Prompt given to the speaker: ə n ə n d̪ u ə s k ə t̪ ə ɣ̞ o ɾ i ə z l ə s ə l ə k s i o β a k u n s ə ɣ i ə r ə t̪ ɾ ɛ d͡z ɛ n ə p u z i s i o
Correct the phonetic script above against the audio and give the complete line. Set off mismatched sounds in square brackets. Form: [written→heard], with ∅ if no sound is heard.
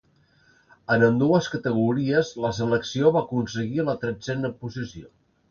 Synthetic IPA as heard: ə n ə n d̪ u ə s k ə t̪ ə ɣ̞ [o→u] ɾ i ə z l ə s ə l ə k s i o β a k u n s ə ɣ i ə [r→l] ə t̪ ɾ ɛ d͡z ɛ n ə p u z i s i o